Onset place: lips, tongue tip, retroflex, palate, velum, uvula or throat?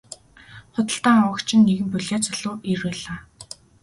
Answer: uvula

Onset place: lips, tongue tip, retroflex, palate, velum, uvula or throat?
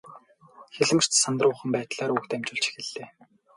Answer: velum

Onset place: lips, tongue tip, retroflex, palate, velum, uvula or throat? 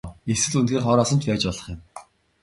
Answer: tongue tip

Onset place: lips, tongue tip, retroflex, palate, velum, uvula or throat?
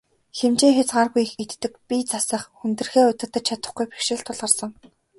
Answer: velum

